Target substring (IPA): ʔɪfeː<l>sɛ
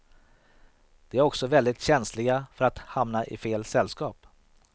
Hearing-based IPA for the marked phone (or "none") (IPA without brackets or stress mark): l